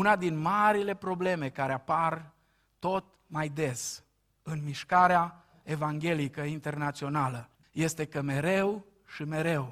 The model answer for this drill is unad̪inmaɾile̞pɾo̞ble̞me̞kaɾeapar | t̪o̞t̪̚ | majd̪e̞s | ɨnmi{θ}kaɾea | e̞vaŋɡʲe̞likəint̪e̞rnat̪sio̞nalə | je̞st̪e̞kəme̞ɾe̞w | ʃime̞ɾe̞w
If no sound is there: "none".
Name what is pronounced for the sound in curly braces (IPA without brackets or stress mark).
ʃ